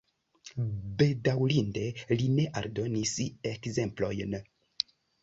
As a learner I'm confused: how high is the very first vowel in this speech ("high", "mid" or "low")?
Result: mid